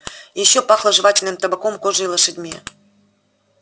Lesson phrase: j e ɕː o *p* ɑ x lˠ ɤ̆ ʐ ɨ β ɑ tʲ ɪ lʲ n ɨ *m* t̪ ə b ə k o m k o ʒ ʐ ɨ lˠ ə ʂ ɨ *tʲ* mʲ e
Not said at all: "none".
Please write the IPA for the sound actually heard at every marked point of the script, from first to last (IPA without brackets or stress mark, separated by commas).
p, m, dʲ